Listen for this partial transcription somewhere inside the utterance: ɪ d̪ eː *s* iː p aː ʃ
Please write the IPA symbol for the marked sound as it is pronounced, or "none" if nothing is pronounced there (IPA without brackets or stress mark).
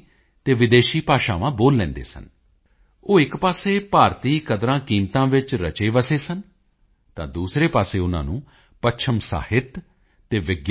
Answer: ʃ